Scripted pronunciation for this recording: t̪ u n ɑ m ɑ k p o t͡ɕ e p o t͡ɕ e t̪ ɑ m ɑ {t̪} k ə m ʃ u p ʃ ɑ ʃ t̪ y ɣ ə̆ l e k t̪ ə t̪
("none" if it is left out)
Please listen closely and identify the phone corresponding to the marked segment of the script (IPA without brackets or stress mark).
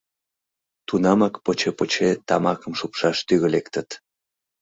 none